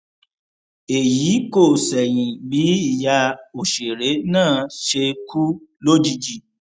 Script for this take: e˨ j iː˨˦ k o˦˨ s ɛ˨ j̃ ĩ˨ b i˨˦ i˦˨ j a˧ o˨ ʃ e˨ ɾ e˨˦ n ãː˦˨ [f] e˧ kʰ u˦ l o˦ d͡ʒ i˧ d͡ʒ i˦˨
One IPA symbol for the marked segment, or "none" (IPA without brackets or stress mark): ʃ